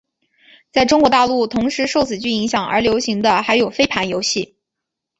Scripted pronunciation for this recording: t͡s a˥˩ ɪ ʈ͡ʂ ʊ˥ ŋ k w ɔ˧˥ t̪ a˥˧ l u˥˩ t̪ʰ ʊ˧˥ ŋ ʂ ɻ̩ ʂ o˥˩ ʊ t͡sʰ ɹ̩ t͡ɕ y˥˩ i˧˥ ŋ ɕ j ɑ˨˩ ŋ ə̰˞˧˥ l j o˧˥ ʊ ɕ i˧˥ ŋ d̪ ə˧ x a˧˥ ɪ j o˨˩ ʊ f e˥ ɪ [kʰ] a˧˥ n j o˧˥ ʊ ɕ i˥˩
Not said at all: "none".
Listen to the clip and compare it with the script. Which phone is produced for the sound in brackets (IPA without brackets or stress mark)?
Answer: pʰ